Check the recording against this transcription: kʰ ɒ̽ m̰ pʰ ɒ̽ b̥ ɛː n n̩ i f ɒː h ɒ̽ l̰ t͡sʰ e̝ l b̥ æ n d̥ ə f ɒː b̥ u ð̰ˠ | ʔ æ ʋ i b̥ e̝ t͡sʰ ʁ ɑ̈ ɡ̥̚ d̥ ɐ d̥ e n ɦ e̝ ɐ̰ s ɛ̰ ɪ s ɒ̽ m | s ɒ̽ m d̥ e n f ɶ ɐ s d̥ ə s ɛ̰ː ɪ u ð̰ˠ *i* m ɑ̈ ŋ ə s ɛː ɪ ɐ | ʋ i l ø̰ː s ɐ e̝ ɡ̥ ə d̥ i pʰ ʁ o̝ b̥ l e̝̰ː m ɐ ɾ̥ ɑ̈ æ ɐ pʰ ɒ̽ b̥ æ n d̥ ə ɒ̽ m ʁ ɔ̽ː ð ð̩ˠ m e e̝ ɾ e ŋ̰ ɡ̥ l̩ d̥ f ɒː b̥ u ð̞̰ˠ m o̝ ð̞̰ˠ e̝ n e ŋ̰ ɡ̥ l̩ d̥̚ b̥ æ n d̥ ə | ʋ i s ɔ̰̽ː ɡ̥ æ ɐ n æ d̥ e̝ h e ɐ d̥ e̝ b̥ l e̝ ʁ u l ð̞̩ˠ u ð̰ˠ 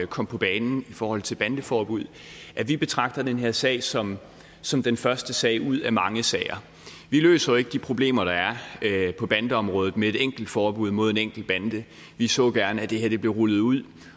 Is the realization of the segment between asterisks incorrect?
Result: yes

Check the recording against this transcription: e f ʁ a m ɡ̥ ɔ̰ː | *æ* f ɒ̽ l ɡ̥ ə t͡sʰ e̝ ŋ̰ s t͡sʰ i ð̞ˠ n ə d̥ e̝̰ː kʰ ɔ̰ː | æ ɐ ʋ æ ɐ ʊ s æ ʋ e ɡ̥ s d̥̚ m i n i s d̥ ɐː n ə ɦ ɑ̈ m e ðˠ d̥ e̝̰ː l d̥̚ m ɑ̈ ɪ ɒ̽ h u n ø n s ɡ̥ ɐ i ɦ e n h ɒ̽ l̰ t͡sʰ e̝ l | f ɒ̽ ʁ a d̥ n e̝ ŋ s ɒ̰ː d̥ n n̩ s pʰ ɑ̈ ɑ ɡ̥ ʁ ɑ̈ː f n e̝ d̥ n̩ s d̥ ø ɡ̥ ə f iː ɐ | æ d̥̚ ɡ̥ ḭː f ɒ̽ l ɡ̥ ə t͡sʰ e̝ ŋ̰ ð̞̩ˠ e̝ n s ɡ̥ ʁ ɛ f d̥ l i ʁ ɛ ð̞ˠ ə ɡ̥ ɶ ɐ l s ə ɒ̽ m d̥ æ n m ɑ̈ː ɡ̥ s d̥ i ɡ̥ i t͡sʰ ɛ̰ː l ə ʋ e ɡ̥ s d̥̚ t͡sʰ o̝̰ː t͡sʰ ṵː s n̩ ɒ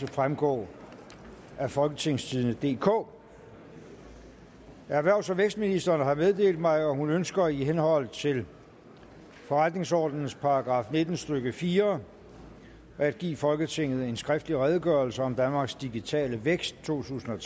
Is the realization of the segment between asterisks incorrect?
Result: no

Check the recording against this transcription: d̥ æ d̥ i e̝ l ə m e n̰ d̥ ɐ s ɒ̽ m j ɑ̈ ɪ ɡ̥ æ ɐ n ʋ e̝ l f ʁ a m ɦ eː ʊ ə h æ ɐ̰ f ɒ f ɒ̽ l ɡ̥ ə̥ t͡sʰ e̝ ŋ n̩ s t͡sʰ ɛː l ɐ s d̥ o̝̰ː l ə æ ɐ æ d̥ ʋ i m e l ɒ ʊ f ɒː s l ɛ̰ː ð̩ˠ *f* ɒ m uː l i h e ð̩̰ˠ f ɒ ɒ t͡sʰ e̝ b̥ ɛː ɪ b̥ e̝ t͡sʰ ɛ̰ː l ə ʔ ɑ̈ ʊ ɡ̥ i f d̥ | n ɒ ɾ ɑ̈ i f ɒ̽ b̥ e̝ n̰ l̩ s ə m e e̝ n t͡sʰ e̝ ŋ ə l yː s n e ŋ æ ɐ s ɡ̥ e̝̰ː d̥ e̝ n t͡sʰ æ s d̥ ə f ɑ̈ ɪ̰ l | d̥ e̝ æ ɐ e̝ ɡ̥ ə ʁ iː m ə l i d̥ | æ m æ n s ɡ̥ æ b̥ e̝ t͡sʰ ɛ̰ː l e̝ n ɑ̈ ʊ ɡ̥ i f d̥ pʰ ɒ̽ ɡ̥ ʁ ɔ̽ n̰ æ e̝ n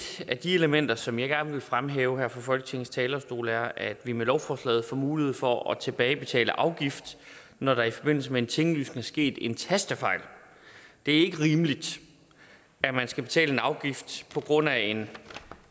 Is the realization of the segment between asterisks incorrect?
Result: no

